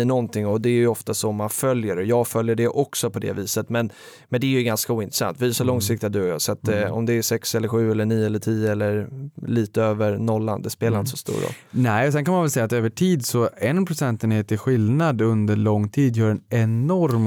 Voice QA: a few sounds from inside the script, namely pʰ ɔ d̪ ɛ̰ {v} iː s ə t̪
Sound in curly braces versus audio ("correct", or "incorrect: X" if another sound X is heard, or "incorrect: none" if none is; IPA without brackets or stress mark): correct